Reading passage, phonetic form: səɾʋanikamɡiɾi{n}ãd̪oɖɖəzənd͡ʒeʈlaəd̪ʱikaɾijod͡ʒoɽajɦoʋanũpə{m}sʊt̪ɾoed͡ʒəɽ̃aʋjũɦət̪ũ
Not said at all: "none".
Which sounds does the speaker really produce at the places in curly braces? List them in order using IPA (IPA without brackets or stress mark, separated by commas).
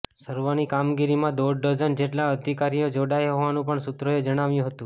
m, ɳ